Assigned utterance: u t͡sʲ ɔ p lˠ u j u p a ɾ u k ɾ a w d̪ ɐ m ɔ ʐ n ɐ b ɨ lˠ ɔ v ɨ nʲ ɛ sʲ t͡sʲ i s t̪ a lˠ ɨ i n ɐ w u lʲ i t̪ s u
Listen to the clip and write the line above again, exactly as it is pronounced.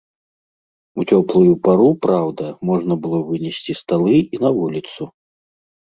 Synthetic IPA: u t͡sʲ ɔ p lˠ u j u p a ɾ u p ɾ a w d̪ ɐ m ɔ ʐ n ɐ b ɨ lˠ ɔ v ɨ nʲ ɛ sʲ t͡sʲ i s t̪ a lˠ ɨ i n ɐ v u lʲ i t̪ s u